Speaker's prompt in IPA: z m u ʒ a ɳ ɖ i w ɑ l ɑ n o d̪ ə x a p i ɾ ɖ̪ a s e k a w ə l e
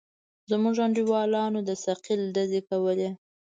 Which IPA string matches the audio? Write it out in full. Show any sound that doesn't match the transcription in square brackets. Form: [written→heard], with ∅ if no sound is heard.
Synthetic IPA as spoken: z m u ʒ a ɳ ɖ i w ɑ l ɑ n o d̪ ə [x→s] a [p→q] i [ɾ→l] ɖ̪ a [s→z] e k a w ə l e